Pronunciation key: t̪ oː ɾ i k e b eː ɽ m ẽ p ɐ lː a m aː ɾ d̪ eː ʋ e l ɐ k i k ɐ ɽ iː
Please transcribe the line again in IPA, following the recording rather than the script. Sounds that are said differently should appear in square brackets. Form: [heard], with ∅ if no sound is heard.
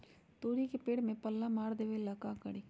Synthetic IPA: t̪ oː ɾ i k e [p] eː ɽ m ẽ p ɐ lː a m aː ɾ d̪ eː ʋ e l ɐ k [a] k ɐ ɽ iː